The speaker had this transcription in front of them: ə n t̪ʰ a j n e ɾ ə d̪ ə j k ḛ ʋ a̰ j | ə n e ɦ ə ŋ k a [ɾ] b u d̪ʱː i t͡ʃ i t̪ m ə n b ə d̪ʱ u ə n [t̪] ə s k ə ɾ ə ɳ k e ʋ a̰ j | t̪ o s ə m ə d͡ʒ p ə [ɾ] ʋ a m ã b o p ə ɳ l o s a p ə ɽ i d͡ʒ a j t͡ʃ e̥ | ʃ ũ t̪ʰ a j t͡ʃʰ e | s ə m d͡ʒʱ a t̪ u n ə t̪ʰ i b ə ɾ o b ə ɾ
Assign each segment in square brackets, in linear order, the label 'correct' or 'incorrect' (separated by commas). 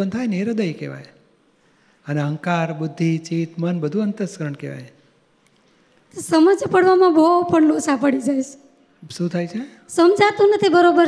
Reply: correct, correct, incorrect